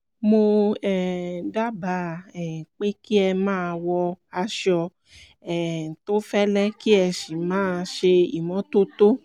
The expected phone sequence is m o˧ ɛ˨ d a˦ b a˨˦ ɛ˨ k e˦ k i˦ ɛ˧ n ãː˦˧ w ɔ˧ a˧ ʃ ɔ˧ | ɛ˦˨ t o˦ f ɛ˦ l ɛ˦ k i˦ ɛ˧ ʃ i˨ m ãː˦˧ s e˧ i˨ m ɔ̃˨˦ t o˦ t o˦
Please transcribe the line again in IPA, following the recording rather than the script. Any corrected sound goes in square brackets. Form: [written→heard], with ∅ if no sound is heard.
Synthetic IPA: m o˧ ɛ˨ d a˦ b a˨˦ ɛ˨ [k→k͡p] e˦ k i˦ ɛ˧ [n→m] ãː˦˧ w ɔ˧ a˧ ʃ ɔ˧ | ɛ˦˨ t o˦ f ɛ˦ l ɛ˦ k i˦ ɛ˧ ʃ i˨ m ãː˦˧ [s→ʃ] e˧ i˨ m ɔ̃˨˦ t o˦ t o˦